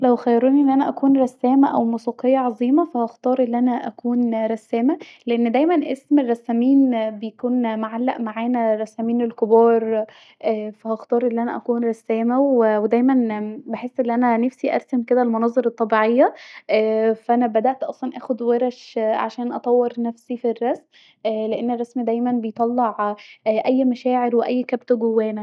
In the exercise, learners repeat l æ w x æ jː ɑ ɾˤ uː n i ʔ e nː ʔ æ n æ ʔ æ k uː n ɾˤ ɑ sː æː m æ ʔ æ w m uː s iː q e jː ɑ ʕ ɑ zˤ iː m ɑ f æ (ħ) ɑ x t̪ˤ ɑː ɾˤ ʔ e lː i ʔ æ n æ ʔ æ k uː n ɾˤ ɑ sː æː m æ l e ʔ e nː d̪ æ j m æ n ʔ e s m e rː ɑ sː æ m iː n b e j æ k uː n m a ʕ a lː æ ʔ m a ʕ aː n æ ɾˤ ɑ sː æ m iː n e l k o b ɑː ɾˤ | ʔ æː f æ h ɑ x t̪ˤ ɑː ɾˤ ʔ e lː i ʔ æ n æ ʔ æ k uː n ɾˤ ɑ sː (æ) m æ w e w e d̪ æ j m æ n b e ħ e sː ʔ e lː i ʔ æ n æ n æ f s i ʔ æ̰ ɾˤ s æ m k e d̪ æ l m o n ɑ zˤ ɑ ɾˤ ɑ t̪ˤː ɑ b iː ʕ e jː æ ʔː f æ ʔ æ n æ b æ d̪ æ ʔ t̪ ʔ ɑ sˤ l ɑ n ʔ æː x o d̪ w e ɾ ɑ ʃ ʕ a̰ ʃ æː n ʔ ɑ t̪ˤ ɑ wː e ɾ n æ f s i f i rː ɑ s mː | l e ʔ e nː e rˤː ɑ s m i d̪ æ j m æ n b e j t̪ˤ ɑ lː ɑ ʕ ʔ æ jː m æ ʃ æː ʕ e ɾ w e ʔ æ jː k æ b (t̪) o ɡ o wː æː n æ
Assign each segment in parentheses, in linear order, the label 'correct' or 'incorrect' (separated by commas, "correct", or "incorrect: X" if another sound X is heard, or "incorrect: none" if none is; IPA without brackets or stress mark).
incorrect: h, incorrect: æː, correct